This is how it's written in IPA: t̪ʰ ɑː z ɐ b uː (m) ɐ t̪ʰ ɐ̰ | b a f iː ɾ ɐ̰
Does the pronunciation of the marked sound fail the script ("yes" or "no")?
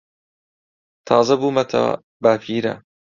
no